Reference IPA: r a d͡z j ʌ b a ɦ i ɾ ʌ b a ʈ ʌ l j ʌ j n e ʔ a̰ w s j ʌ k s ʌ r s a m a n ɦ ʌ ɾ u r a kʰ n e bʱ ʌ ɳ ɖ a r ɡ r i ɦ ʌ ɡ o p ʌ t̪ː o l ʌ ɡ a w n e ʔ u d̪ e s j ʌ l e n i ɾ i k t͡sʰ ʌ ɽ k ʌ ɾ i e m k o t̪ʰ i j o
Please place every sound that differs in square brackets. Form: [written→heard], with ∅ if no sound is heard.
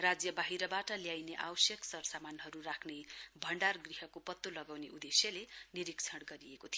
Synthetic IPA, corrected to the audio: r a d͡z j ʌ b a ɦ i ɾ ʌ b a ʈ ʌ l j [ʌ→a] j n e ʔ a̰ w s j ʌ k s ʌ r s a m a n ɦ ʌ ɾ u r a kʰ n e bʱ ʌ ɳ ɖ a r ɡ r i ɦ ʌ [ɡ→k] o p ʌ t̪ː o l ʌ ɡ a w n e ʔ u d̪ e s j ʌ l e n i ɾ i k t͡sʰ ʌ ɽ [k→ɡ] ʌ ɾ i e [m→∅] k o t̪ʰ i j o